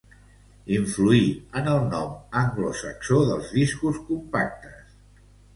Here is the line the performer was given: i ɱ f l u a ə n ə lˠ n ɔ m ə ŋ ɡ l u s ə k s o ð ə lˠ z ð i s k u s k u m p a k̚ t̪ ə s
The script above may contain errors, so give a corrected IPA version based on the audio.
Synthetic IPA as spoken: i ɱ f l u i ə n ə lˠ n ɔ m ə ŋ ɡ l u s ə k s o ð ə lˠ z ð i s k u s k u m p a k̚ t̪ ə s